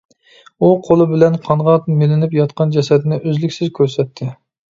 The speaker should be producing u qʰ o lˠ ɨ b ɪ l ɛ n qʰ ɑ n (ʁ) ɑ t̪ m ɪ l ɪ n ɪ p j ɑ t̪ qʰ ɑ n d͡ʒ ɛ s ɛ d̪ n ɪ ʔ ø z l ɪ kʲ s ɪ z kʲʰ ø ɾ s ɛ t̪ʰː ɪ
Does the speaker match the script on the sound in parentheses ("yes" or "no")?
yes